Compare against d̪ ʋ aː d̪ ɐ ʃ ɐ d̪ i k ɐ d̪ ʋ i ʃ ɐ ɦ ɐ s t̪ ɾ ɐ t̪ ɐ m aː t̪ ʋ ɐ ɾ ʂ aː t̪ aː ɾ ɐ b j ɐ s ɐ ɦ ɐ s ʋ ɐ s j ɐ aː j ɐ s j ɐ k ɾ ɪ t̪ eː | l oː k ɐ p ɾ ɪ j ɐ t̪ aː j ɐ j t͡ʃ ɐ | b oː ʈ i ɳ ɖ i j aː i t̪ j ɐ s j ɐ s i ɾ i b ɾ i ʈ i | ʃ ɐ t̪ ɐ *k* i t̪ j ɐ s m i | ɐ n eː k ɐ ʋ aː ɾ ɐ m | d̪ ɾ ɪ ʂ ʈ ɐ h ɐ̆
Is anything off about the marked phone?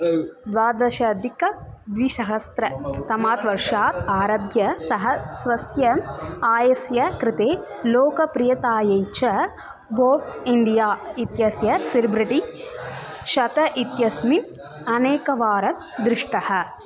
yes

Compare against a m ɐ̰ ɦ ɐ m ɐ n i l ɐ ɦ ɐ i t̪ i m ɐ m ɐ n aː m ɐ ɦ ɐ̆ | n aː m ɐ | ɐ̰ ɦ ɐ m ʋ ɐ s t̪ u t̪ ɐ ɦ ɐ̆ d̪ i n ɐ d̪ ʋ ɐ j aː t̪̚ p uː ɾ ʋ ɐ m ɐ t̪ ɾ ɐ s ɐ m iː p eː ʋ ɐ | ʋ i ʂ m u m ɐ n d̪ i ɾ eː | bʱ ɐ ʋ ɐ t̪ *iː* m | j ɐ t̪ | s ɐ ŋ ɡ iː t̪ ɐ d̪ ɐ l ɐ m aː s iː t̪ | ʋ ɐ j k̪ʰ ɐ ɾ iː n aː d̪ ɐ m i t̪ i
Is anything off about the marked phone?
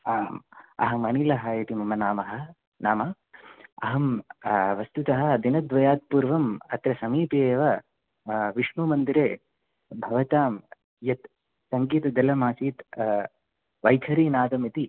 yes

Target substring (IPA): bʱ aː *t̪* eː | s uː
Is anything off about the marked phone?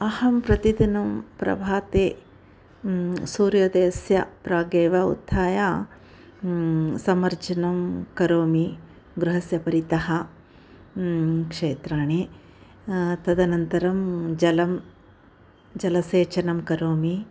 no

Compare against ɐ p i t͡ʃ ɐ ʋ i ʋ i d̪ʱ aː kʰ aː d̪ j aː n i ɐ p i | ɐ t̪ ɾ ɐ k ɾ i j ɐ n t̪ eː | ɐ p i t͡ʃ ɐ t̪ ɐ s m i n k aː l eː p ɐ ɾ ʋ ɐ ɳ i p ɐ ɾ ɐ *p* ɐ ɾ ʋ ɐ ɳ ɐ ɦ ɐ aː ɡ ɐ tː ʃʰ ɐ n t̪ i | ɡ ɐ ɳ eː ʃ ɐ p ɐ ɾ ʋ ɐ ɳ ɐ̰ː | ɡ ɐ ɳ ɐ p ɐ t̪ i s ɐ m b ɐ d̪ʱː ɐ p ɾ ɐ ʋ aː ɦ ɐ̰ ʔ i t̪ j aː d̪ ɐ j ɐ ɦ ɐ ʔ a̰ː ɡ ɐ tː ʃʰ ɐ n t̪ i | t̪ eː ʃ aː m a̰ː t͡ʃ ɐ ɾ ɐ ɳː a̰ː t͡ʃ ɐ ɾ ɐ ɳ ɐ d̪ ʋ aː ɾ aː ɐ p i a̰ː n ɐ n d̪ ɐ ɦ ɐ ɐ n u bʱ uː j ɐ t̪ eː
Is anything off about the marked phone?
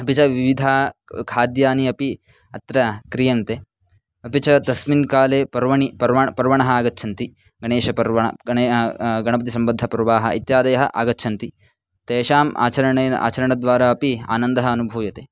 no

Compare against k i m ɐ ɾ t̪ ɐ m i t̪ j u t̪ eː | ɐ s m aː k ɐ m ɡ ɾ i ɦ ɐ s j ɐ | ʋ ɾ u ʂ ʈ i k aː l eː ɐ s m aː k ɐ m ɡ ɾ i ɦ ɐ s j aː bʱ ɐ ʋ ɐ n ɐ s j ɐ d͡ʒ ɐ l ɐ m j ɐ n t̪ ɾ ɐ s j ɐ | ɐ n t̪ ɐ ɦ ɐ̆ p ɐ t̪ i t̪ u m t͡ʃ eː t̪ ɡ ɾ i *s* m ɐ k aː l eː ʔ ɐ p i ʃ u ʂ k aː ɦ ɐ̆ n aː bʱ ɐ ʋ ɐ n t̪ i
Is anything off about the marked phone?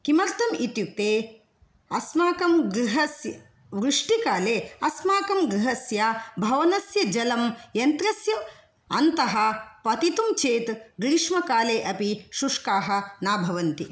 yes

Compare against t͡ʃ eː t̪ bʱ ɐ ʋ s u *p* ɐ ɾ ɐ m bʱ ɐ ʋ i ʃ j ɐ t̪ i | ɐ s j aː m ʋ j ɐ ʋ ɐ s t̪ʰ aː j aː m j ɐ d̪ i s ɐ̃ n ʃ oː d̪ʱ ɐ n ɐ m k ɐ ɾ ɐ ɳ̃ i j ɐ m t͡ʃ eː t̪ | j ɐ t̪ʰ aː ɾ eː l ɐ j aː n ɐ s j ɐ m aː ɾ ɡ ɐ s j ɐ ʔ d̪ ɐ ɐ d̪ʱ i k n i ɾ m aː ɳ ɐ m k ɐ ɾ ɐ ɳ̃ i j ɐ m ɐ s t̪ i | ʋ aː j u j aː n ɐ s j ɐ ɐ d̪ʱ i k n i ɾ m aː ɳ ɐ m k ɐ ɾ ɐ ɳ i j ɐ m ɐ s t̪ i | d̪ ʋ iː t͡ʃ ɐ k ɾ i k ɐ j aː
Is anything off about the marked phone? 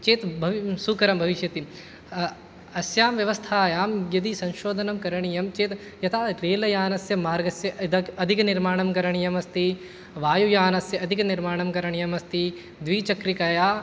yes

